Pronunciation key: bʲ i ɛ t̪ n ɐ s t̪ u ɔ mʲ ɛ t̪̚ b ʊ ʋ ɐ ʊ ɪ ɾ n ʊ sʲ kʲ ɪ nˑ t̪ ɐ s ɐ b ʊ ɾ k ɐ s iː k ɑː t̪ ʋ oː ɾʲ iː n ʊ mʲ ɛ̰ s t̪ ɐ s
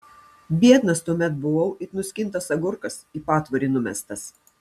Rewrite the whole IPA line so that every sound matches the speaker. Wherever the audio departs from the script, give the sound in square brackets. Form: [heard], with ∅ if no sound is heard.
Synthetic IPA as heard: bʲ i ɛ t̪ n ɐ s t̪ u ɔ mʲ ɛ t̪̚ b ʊ ʋ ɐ ʊ ɪ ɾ n ʊ sʲ kʲ ɪ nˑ t̪ ɐ s ɐ [ɡ] ʊ ɾ k ɐ s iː [p] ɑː t̪ ʋ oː ɾʲ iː n ʊ mʲ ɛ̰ s t̪ ɐ s